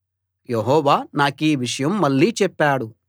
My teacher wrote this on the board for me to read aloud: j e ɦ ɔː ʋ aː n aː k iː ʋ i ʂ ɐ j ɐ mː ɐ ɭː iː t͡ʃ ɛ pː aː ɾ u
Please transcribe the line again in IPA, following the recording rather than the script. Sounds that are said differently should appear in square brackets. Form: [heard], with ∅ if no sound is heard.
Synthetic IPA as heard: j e ɦ ɔː ʋ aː n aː k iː ʋ i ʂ ɐ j ɐ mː ɐ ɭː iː t͡ʃ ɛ pː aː [ɽ] u